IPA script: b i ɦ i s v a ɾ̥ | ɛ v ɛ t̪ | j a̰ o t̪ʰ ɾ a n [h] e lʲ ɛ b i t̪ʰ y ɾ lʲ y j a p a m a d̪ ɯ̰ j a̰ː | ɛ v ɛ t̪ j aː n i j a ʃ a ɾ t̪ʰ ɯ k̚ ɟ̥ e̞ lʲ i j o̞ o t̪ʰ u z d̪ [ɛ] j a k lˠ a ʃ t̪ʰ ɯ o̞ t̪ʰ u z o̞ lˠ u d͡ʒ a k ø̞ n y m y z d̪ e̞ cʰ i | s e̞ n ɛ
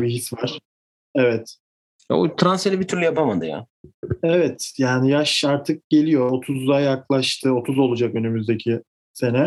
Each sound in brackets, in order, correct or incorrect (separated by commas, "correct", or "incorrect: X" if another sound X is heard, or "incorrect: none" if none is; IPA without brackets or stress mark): incorrect: s, incorrect: a